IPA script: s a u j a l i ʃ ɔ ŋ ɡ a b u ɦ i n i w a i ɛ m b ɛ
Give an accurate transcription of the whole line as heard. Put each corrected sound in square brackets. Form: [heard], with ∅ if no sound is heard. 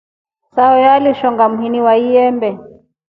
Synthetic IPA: s a [ɔ] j a l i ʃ ɔ ŋ ɡ a [m] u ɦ i n i w a i ɛ m b ɛ

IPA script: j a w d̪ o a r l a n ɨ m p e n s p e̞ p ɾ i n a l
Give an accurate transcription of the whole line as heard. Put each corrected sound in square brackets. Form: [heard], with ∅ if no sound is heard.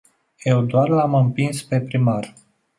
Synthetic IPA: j [e] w d̪ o a r l a [m] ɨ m p [i] n s p e̞ p ɾ i [m] a [r]

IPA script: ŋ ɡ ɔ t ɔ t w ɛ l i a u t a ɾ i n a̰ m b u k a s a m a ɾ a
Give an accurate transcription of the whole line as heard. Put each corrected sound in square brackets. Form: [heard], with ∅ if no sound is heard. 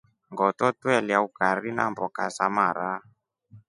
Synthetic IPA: ŋ ɡ ɔ t ɔ t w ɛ l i a u [k] a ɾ i n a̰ m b [ɔ] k a s a m a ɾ a

